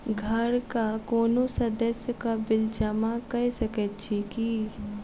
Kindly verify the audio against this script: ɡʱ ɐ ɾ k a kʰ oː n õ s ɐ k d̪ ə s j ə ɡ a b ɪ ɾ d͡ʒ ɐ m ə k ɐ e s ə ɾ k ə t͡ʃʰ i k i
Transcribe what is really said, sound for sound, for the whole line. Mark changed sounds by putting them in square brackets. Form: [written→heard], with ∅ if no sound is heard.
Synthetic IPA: ɡʱ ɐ ɾ k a [kʰ→k] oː n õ s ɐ [k→∅] d̪ ə s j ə [ɡ→k] a b ɪ [ɾ→l] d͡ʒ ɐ m [ə→a] k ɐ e s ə [ɾ→∅] k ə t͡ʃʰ i k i

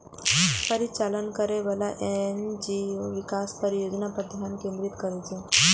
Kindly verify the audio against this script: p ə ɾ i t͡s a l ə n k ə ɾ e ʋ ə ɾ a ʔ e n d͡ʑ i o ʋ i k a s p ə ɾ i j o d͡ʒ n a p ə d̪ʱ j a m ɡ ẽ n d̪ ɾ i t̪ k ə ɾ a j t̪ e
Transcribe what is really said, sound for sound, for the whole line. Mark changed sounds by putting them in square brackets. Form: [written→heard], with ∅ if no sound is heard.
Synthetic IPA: p ə ɾ i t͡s a l ə n k ə ɾ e ʋ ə [ɾ→l] a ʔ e n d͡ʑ i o ʋ i k a s p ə ɾ i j o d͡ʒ n a p ə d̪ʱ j a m [ɡ→k] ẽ n d̪ ɾ i t̪ k ə ɾ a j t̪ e

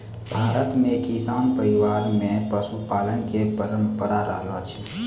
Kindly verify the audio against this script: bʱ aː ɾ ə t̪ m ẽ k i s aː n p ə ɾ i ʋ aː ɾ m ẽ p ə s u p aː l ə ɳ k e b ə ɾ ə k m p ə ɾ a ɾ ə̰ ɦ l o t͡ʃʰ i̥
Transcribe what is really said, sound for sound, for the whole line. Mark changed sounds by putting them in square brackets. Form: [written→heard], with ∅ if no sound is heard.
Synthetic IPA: bʱ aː ɾ ə t̪ m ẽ k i s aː n p ə ɾ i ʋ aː ɾ m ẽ p ə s u p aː l ə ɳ k e [b→p] ə ɾ ə [k→∅] m p ə ɾ a ɾ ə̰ ɦ l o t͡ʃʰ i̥

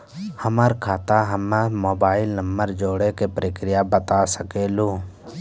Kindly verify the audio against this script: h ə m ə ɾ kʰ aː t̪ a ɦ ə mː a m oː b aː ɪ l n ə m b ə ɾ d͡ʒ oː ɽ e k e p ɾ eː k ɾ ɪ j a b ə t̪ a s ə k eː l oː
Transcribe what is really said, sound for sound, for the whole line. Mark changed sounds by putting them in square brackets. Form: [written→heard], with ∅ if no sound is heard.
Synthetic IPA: h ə m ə ɾ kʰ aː t̪ a ɦ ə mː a m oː b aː ɪ l n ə m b ə ɾ d͡ʒ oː ɽ e k e p ɾ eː k ɾ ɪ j a b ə t̪ a s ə k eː l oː

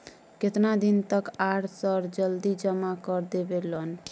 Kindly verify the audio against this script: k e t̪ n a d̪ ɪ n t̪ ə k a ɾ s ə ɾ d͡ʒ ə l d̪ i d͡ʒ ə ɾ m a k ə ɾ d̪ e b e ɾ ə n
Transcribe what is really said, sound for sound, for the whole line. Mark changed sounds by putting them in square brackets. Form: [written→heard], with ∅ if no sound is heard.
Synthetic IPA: k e t̪ n a d̪ [ɪ→i] n t̪ ə k a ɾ s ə ɾ d͡ʒ ə l d̪ i d͡ʒ ə [ɾ→∅] m a k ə ɾ d̪ e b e [ɾ→l] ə n

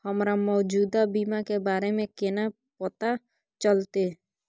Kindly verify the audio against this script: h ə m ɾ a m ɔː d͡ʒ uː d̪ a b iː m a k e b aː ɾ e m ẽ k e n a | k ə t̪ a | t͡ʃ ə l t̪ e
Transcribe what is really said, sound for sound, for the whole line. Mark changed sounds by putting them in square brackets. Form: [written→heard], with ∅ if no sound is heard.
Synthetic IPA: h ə m ɾ a m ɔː d͡ʒ uː d̪ a b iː m a k e b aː ɾ e m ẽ k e n a | [k→p] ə t̪ a | t͡ʃ ə l t̪ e

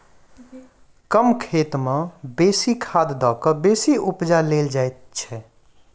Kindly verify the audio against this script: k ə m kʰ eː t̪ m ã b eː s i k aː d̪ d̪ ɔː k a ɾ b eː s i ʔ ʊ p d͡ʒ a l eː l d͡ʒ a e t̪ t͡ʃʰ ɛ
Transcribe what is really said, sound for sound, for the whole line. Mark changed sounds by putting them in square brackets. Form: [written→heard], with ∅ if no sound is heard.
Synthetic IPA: k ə m kʰ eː t̪ m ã b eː s i [k→kʰ] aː d̪ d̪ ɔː k [a→ə] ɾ b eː s i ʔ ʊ p d͡ʒ a l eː l d͡ʒ a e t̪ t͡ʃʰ ɛ

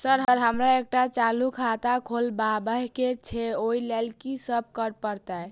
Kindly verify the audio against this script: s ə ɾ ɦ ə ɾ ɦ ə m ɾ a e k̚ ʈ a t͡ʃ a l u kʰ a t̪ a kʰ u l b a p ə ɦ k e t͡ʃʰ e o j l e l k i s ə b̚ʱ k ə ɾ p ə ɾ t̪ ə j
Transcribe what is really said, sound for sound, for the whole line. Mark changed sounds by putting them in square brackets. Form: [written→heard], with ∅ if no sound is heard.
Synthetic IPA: s ə ɾ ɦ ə ɾ ɦ ə m ɾ a e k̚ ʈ a t͡ʃ a l u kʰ a t̪ a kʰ [u→o] l b a [p→b] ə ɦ k e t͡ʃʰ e o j l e l k i s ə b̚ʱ k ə ɾ p ə ɾ t̪ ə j

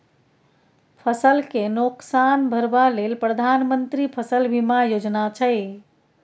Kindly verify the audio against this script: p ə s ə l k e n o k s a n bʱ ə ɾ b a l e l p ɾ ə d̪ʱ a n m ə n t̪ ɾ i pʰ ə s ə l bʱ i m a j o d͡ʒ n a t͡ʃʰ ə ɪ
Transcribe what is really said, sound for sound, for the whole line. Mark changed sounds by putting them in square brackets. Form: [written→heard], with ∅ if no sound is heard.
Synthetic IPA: [p→pʰ] ə s ə l k e n o k s a n bʱ ə ɾ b a l e l p ɾ ə d̪ʱ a n m ə n t̪ ɾ i pʰ ə s ə l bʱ i m a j o d͡ʒ n a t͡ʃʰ ə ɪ

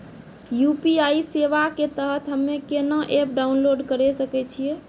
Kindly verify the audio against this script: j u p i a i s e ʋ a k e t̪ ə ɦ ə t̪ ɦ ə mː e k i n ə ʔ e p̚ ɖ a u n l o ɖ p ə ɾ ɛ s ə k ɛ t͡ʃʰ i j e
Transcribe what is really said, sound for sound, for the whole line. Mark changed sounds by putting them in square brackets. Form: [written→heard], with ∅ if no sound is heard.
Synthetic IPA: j u p i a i s e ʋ a k e t̪ ə ɦ ə t̪ ɦ ə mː e k [i→e] n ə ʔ e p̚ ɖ a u n l o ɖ [p→k] ə ɾ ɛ s ə k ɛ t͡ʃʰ i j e

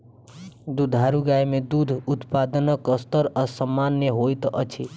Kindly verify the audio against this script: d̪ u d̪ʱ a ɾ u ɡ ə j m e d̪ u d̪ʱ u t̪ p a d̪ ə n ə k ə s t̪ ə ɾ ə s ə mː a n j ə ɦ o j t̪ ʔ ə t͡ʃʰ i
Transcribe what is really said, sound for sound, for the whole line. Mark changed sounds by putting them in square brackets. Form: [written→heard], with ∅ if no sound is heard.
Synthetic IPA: d̪ u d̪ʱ a ɾ u ɡ [ə→a] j m e d̪ u d̪ʱ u t̪ p a d̪ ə n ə k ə s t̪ ə ɾ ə s ə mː a n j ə ɦ o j t̪ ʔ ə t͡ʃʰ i

